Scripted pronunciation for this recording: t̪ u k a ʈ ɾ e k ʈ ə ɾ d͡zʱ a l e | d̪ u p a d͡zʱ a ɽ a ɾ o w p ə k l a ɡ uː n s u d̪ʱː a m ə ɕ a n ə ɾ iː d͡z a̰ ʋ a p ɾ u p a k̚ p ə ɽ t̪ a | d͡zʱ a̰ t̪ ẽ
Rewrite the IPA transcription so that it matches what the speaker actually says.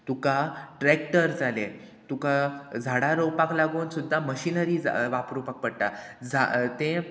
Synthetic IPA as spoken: t̪ u k a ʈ ɾ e k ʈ ə ɾ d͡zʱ a l e | t̪ u k a d͡zʱ a ɽ a ɾ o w p a k l a ɡ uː n s u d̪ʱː a m ə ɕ i n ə ɾ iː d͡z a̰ ʋ a p ɾ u p a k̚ p ə ɽ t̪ a | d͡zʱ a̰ t̪ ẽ